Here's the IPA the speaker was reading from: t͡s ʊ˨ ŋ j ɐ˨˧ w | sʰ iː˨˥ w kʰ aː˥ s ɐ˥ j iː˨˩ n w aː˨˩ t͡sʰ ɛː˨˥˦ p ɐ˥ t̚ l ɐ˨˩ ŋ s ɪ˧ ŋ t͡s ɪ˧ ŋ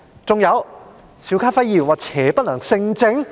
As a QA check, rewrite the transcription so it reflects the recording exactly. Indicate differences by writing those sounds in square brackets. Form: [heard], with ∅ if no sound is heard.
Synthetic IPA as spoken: t͡s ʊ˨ ŋ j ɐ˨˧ w | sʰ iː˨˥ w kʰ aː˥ [f] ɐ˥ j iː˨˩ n w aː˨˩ t͡sʰ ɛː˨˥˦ p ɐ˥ t̚ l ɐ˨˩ ŋ s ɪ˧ ŋ t͡s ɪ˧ ŋ